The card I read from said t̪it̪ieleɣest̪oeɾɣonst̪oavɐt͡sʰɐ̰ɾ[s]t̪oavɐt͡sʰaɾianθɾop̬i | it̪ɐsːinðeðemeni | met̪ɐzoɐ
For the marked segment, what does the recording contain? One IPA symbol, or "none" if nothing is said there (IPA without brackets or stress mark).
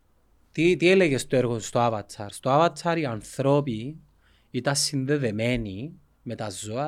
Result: s